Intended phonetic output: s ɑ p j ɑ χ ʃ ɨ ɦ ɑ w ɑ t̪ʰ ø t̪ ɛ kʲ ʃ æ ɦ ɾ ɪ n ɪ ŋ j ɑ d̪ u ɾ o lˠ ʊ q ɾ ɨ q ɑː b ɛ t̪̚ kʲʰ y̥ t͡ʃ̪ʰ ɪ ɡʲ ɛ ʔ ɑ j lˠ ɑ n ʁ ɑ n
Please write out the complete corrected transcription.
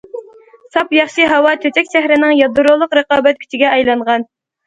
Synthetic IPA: s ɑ p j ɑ χ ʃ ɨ ɦ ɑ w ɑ t̪ʰ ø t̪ ɛ kʲ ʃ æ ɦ ɾ ɪ n ɪ ŋ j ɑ d̪ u ɾ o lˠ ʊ q ɾ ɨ q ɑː b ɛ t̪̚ kʲʰ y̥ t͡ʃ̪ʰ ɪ ɡʲ ɛ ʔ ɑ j lˠ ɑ ɴ ʁ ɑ n